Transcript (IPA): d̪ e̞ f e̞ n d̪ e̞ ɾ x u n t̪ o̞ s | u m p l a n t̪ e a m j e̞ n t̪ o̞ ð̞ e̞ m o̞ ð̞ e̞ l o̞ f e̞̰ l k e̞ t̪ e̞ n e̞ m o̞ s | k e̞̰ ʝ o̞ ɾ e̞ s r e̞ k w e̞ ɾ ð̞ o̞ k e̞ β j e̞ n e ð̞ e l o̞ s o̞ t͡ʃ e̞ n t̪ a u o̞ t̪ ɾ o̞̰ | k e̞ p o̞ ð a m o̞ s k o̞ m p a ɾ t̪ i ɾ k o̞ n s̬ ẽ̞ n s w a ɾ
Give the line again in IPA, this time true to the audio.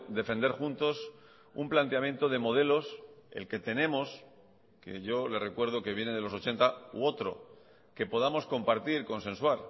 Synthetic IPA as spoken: d̪ e̞ f e̞ n d̪ e̞ ɾ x u n t̪ o̞ s | u m p l a n t̪ e a m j e̞ n t̪ o̞ ð̞ e̞ m o̞ ð̞ e̞ l o̞ s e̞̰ l k e̞ t̪ e̞ n e̞ m o̞ s | k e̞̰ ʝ o̞ l e̞ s r e̞ k w e̞ ɾ ð̞ o̞ k e̞ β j e̞ n e ð̞ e l o̞ s o̞ t͡ʃ e̞ n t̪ a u o̞ t̪ ɾ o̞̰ | k e̞ p o̞ ð a m o̞ s k o̞ m p a ɾ t̪ i ɾ k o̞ n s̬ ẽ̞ n s w a ɾ